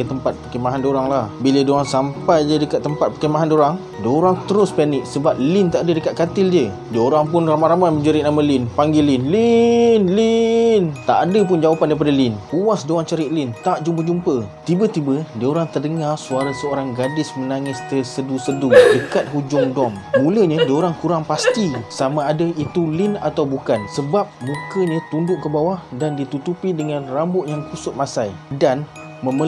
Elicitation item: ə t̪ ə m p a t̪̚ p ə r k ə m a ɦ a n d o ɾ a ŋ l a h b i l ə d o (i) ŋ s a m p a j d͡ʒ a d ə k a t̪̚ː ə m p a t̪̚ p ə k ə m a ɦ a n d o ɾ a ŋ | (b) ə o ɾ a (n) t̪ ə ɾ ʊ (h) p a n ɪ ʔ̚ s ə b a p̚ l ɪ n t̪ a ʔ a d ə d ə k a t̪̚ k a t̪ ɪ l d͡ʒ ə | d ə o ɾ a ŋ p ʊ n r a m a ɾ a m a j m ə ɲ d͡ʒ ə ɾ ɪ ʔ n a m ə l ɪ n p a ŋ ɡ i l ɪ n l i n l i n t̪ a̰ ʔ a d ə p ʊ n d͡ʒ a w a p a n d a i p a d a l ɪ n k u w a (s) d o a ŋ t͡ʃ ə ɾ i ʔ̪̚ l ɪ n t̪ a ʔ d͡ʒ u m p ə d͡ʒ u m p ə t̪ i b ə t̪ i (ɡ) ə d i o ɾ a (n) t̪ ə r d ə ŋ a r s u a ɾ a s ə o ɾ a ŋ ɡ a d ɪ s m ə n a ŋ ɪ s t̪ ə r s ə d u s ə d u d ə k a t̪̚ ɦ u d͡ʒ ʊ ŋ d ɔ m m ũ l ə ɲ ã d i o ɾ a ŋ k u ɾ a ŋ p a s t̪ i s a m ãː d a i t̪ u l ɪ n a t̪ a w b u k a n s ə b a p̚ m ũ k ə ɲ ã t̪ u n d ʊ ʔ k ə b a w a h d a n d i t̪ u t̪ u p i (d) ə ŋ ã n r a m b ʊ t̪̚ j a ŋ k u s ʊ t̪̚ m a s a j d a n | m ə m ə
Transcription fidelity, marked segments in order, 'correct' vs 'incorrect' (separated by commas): incorrect, incorrect, incorrect, incorrect, correct, incorrect, incorrect, correct